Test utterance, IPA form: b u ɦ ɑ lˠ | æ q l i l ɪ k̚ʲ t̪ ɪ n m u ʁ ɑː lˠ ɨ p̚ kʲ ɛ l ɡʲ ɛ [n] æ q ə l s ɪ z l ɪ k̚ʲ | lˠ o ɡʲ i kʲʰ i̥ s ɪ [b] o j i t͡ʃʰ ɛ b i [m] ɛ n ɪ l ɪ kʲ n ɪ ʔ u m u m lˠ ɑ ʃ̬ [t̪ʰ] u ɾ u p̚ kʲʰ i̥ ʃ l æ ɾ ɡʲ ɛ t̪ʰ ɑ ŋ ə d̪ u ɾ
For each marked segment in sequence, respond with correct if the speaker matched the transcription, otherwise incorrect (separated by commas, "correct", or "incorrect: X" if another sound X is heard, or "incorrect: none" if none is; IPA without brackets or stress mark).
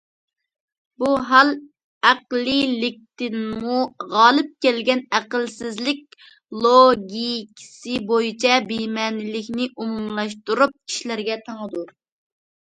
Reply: correct, correct, correct, incorrect: t̪